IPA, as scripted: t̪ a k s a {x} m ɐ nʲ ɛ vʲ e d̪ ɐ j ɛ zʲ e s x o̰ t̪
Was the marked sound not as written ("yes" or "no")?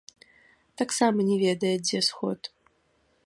yes